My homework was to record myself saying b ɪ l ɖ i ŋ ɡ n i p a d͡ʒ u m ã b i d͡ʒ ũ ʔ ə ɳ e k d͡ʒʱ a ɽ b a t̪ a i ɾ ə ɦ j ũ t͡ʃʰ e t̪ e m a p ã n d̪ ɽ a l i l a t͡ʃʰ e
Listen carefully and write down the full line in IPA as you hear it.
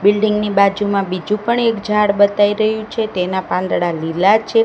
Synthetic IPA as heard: b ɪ l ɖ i ŋ ɡ n i b a d͡ʒ u m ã b i d͡ʒ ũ p ə ɳ e k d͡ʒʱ a ɽ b ə t̪ a i ɾ ə ɦ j ũ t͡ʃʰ e t̪ e n a p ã n d̪ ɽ a l i l a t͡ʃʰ e

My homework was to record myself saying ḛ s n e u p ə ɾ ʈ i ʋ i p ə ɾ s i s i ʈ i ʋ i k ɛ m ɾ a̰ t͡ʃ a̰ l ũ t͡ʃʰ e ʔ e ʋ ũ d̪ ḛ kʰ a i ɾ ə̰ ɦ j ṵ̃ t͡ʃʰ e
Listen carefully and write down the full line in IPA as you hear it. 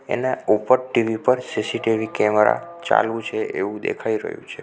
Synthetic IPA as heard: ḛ n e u p ə ɾ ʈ i ʋ i p ə ɾ s i s i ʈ i ʋ i k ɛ m ɾ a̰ t͡ʃ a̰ l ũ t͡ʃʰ e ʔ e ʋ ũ d̪ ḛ kʰ a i ɾ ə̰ ɦ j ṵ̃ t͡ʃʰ e

